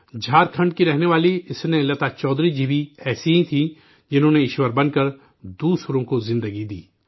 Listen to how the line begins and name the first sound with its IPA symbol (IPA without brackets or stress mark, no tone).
d͡ʒʱ